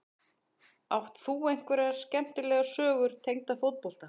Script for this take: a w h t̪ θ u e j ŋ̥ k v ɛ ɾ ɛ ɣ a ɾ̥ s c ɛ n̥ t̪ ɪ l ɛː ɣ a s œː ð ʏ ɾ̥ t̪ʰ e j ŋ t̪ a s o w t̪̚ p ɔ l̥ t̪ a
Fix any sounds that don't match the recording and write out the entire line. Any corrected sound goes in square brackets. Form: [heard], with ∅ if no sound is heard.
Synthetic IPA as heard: a w h t̪ θ u e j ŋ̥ k v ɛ ɾ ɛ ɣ a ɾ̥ s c ɛ [m̥] t̪ ɪ l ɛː ɣ a s œː [ɣ] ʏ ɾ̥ t̪ʰ e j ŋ t̪ a [f] o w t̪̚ p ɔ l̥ t̪ a